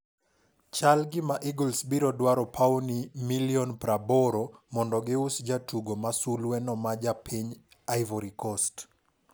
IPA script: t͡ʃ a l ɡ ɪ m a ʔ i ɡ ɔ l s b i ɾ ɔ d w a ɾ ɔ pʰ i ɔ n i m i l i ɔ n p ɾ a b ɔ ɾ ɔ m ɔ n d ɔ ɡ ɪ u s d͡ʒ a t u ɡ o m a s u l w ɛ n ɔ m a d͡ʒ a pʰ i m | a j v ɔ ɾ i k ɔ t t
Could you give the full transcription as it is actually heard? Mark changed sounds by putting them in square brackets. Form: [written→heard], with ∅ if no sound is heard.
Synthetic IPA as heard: t͡ʃ a l ɡ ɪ m a ʔ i ɡ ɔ l s b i ɾ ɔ d w a ɾ ɔ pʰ [i→a] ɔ n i m i l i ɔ n p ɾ a b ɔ ɾ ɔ m ɔ n d ɔ ɡ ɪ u s d͡ʒ a t u ɡ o m a s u l w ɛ n ɔ m a d͡ʒ a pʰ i [m→ɲ] | a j v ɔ ɾ i k ɔ [t→s] t

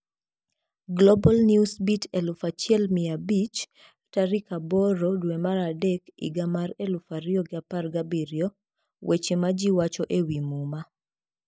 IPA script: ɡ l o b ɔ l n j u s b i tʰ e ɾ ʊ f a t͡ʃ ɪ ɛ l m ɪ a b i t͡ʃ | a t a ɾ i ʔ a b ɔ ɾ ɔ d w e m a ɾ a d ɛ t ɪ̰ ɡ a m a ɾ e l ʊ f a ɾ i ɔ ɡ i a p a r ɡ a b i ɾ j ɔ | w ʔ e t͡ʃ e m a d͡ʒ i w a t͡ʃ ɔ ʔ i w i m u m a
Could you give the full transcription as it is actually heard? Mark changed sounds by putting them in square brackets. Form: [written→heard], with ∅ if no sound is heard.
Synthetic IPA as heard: ɡ l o b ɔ l n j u s b i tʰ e [ɾ→l] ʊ f a t͡ʃ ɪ ɛ l m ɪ a b i t͡ʃ | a t a ɾ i [ʔ→k] a b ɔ ɾ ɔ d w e m a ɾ a d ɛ [t→k] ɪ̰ ɡ a m a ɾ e l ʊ f a ɾ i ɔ ɡ [i→ɪ] a p a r ɡ a b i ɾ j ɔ | w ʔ e t͡ʃ e m a d͡ʒ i w a t͡ʃ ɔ ʔ [i→e] w i m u m a

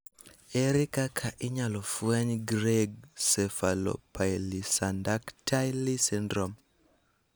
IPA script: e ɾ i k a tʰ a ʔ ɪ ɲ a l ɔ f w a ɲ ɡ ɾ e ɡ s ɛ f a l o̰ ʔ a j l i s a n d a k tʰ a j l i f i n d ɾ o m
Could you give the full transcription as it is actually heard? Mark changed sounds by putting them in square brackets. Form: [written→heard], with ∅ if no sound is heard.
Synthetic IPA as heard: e ɾ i k a [tʰ→kʰ] a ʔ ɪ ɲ a l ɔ f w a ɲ ɡ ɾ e ɡ s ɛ f a l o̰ [ʔ→p] a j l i s a n d a k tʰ a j l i [f→s] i n d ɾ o m

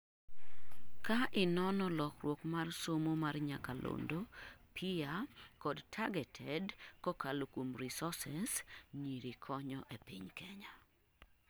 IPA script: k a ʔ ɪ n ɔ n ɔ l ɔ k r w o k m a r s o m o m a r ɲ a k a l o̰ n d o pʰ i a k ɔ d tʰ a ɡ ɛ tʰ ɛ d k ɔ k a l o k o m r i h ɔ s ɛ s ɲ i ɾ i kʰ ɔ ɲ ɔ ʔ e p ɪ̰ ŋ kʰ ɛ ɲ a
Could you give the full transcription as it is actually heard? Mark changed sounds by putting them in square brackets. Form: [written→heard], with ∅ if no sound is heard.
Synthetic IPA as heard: k a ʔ ɪ n ɔ n ɔ l ɔ k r w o k m a r s o m o m a r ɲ a k a l o̰ n d o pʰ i a k ɔ d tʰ a ɡ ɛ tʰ ɛ d k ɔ k a l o k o m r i [h→s] ɔ s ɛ s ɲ i ɾ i kʰ ɔ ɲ ɔ ʔ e p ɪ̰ [ŋ→ɲ] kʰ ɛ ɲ a

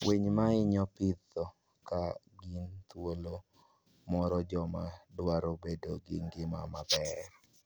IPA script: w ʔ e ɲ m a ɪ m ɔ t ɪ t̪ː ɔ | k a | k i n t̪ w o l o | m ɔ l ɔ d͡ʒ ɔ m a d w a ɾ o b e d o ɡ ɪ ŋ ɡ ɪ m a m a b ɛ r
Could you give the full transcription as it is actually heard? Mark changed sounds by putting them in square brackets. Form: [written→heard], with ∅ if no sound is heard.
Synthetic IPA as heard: w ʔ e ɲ m a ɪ [m→ɲ] ɔ [t→p] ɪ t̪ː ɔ | k a | [k→ɡ] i n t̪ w o l o | m ɔ [l→ɾ] ɔ d͡ʒ ɔ m a d w a ɾ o b e d o ɡ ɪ ŋ ɡ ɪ m a m a b ɛ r

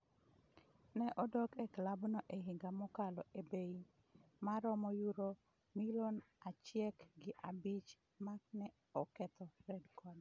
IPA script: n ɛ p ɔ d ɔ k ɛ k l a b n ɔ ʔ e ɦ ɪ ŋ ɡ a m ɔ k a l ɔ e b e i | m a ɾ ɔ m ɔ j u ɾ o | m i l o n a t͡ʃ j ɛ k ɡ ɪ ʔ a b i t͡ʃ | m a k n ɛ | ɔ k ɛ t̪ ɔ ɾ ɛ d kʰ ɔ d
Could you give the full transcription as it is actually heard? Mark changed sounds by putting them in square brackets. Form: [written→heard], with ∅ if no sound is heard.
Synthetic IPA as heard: n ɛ [p→ʔ] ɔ d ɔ k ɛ k l a b n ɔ ʔ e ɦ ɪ ŋ ɡ a m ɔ k a l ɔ e b e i | m a ɾ ɔ m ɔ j u ɾ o | m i l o n a t͡ʃ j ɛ k ɡ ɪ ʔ a b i t͡ʃ | m a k n ɛ | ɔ k ɛ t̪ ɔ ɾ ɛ d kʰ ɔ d

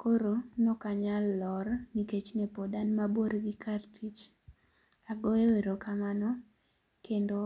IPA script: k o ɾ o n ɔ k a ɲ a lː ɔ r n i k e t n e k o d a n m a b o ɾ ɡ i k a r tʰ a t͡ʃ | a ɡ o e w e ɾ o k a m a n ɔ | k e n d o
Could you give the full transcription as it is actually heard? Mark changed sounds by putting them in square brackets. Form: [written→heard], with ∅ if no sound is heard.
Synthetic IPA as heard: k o ɾ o n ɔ k a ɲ a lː ɔ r n i k e [t→t͡ʃ] n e [k→p] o d a n m a b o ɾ ɡ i k a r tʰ [a→i] t͡ʃ | a ɡ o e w e ɾ o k a m a n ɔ | k e n d o

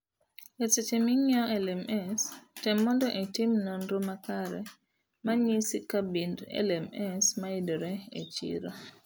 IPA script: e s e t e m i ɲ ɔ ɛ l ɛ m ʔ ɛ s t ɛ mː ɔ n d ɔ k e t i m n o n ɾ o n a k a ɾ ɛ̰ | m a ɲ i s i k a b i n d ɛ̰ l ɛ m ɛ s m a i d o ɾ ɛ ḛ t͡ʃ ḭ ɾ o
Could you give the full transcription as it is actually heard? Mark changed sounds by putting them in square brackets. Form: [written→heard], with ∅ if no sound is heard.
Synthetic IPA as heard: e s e [t→t͡ʃ] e m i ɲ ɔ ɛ l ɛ m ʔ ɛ s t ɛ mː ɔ n d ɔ [k→ʔ] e t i m n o n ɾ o [n→m] a k a ɾ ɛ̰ | m a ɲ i s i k a b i n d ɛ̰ l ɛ m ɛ s m a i d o ɾ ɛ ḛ t͡ʃ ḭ ɾ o

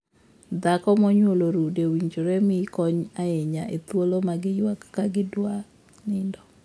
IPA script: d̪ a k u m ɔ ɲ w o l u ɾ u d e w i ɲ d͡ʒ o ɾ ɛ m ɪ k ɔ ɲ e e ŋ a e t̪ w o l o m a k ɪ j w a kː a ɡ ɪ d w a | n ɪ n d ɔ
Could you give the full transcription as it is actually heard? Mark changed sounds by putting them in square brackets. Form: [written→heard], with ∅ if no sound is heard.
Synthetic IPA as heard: d̪ a k [u→ɔ] m ɔ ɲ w o l [u→o] ɾ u d e w i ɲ d͡ʒ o ɾ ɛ m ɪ k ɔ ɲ [e→a] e [ŋ→ɲ] a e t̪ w o l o m a [k→ɡ] ɪ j w a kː a ɡ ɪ d w a | n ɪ n d ɔ

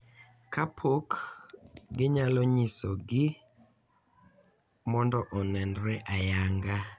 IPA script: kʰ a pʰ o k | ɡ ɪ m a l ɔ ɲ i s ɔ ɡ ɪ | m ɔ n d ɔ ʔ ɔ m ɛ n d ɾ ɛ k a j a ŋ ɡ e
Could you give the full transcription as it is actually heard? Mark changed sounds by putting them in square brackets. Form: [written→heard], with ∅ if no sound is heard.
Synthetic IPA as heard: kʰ a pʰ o k | ɡ ɪ [m→ɲ] a l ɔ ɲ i s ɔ ɡ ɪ | m ɔ n d ɔ ʔ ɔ [m→n] ɛ n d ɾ ɛ [k→ʔ] a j a ŋ ɡ [e→a]

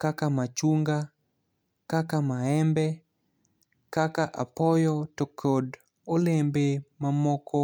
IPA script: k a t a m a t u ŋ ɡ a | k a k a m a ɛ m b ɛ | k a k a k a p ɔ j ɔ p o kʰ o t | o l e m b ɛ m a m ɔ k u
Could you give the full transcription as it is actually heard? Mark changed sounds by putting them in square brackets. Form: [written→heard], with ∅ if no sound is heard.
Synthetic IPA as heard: k a [t→k] a m a [t→t͡ʃ] u ŋ ɡ a | k a k a m a ɛ m b ɛ | k a k a [k→ʔ] a p ɔ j ɔ [p→t] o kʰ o [t→d] | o l e m b [ɛ→e] m a m ɔ k [u→ɔ]

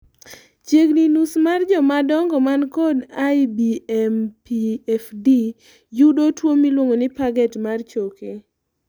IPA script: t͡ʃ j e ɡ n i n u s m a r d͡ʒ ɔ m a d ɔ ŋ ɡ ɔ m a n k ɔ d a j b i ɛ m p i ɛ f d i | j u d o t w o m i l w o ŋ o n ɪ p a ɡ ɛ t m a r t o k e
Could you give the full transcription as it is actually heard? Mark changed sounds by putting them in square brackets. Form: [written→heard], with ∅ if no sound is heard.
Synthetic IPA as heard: t͡ʃ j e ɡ n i n u s m a r d͡ʒ ɔ m a d ɔ ŋ ɡ ɔ m a n k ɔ d a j b i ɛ m p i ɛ f d i | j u d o t w o m i l w o ŋ o n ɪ p a ɡ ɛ t m a r [t→t͡ʃ] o k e

